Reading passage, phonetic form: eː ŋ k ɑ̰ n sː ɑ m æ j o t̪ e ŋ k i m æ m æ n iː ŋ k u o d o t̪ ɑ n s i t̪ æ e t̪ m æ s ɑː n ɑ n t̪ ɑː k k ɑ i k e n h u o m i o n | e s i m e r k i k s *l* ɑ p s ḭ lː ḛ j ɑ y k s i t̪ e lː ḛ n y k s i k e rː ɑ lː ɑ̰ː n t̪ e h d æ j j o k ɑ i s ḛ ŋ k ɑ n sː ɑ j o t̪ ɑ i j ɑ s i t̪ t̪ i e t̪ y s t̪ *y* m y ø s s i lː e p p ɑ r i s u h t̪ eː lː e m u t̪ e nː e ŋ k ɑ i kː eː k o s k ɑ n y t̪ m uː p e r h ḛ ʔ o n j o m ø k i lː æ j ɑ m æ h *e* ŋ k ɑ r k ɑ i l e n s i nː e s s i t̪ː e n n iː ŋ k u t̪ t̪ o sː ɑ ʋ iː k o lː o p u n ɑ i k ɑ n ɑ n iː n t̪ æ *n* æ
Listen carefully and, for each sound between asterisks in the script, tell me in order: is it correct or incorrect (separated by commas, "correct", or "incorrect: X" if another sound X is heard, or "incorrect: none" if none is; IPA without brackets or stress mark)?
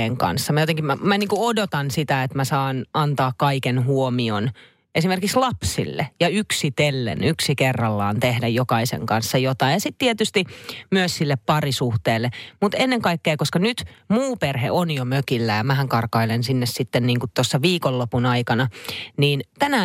correct, incorrect: i, incorrect: æ, correct